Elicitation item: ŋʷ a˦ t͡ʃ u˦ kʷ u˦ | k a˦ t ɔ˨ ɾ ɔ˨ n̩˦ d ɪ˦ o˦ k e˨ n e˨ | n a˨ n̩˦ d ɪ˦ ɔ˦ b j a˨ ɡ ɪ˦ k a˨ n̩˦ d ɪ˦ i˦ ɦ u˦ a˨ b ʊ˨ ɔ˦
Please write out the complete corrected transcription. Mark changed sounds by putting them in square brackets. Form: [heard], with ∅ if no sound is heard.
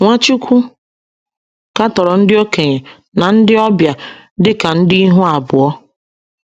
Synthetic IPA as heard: ŋʷ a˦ t͡ʃ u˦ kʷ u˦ | k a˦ t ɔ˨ ɾ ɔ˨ n̩˦ d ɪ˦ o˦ k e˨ [ɲ] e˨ | n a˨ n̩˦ d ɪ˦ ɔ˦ b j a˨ [d] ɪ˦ k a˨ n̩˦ d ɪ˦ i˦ ɦ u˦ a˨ b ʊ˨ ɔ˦

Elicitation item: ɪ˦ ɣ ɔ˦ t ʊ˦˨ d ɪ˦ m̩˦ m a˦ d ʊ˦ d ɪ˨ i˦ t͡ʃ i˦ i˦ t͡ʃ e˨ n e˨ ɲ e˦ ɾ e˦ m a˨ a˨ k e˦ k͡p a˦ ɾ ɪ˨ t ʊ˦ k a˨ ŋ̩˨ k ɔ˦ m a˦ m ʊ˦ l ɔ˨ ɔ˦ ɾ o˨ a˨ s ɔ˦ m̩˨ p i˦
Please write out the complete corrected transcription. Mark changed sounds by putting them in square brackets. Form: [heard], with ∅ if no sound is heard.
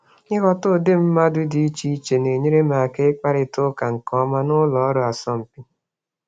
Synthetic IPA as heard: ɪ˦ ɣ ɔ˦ t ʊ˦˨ d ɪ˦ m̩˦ m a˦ d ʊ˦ d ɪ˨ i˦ t͡ʃ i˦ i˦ t͡ʃ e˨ n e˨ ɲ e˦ ɾ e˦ m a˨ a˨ k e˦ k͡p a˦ ɾ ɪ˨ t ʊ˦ k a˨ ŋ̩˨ k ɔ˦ m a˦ [n] ʊ˦ l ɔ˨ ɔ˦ ɾ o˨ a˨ s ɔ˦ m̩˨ p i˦

